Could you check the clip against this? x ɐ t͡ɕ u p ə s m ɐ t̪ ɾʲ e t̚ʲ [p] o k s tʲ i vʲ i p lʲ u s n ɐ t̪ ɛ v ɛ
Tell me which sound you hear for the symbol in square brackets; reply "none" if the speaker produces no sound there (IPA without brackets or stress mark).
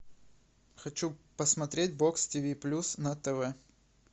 b